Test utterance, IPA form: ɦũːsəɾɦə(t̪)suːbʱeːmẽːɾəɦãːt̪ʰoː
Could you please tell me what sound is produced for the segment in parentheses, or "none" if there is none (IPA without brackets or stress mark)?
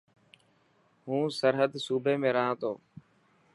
d̪